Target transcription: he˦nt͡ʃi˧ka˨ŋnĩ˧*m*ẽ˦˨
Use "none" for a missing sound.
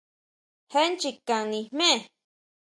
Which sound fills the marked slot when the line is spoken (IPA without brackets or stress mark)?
m